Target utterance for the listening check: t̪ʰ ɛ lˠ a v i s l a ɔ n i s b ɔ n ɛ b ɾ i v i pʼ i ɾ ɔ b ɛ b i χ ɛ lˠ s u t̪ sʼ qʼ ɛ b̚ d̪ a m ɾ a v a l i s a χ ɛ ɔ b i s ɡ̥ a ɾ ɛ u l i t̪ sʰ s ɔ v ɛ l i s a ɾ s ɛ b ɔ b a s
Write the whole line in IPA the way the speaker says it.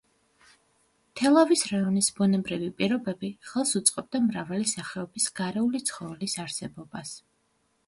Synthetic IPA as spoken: t̪ʰ ɛ lˠ a v i s ɾ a ɔ n i s b ɔ n ɛ b ɾ i v i pʼ i ɾ ɔ b ɛ b i χ ɛ lˠ s u t̪ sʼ qʼ ɛ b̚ d̪ a m ɾ a v a l i s a χ ɛ ɔ b i s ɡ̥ a ɾ ɛ u l i t̪ sʰ χ ɔ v ɛ l i s a ɾ s ɛ b ɔ b a s